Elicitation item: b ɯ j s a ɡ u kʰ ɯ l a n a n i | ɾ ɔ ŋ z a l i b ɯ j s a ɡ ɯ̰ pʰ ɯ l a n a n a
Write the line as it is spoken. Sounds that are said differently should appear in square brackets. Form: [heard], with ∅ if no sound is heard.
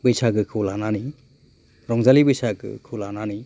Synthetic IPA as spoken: b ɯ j s a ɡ [ɯ] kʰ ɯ l a n a n i | ɾ ɔ ŋ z a l i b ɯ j s a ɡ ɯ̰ [kʰ] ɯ l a n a n [i]